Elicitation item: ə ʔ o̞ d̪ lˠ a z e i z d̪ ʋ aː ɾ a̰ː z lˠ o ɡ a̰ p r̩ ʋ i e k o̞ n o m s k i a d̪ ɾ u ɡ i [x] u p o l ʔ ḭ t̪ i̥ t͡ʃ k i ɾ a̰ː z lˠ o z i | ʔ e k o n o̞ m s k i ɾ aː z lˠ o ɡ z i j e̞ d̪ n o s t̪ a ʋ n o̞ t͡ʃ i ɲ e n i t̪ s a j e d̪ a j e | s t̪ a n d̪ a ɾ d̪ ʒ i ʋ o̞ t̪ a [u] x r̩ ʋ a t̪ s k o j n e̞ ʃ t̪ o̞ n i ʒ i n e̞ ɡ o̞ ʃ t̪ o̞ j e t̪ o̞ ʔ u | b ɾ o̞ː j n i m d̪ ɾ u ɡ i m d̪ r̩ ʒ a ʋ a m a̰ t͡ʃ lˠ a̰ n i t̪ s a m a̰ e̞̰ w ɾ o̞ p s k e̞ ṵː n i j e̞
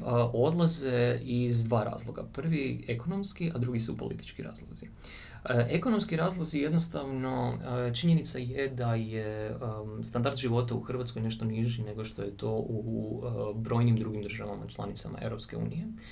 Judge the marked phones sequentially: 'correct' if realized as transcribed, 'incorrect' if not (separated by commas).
incorrect, correct